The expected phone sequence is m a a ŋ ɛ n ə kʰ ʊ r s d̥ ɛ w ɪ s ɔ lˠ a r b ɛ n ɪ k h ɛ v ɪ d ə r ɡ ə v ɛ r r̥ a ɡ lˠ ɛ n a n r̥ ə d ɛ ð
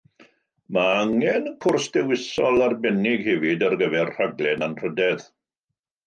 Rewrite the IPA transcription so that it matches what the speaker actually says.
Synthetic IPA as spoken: m a a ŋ ɛ n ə kʰ ʊ r s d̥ ɛ w ɪ s ɔ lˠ a r b ɛ n ɪ ɡ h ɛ v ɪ d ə r ɡ ə v ɛ r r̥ a ɡ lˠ ɛ n a n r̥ ə d ɛ ð